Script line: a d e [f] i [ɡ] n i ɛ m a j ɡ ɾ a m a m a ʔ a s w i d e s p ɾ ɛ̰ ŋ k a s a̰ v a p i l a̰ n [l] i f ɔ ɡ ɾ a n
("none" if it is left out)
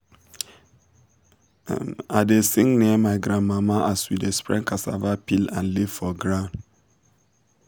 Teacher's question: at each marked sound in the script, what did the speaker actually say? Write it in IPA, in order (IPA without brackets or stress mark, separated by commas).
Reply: s, ŋ, l